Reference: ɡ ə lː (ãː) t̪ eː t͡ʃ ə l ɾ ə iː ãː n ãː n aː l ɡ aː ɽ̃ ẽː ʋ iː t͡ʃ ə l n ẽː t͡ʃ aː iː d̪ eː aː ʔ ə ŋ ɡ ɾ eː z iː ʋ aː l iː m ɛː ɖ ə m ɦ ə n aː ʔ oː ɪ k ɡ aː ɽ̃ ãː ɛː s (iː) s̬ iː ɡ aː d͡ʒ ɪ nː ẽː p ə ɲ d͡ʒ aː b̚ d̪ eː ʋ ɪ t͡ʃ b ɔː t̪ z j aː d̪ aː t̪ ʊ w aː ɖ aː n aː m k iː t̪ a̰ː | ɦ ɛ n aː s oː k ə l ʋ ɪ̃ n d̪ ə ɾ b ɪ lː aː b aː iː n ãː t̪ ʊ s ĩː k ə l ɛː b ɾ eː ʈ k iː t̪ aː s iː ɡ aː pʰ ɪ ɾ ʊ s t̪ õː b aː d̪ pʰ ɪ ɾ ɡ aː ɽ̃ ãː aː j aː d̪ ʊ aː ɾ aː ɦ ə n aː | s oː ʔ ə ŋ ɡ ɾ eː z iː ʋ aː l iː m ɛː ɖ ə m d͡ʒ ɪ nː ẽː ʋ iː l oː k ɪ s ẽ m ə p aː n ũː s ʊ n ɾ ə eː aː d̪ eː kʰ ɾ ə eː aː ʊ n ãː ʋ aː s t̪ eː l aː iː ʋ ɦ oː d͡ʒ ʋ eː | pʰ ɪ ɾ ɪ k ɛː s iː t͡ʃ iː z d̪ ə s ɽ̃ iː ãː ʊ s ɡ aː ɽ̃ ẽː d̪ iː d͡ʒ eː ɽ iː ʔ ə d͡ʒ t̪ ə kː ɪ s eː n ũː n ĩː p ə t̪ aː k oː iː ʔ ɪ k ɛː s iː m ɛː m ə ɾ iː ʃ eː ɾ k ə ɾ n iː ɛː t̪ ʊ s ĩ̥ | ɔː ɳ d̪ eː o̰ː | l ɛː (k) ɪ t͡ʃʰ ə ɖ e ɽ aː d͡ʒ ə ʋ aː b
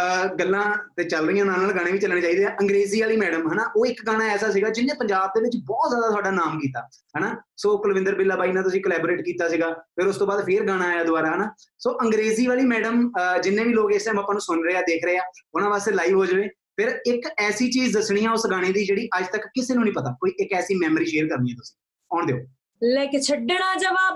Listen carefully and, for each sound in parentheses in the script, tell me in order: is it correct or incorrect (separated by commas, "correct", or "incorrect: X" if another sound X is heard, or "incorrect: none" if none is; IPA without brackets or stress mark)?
correct, incorrect: aː, correct